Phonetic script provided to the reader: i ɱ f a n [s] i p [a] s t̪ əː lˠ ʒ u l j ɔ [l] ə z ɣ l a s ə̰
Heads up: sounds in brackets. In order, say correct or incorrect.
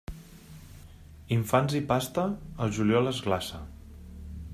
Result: incorrect, correct, correct

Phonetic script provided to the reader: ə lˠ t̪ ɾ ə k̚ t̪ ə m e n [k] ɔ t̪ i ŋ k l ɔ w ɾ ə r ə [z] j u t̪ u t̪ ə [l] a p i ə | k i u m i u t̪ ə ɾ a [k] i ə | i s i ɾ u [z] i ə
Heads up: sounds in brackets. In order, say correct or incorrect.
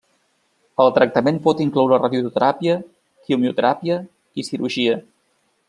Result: incorrect, incorrect, incorrect, incorrect, incorrect

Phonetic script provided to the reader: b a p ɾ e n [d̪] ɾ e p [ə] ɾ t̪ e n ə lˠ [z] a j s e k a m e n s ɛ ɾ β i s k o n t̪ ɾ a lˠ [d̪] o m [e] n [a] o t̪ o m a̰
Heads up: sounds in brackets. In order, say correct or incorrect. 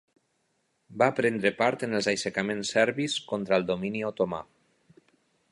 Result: correct, incorrect, correct, correct, incorrect, incorrect

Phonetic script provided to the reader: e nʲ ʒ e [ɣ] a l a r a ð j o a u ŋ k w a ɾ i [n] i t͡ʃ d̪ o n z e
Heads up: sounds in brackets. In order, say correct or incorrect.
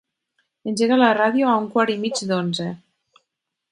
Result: correct, incorrect

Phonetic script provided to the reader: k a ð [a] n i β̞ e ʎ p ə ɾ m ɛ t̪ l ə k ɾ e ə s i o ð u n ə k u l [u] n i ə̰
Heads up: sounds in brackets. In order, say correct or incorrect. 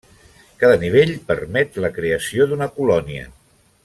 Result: incorrect, incorrect

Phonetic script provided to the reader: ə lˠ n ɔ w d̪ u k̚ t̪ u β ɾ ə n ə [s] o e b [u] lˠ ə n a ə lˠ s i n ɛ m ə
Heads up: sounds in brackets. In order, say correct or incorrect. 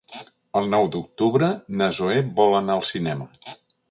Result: incorrect, incorrect

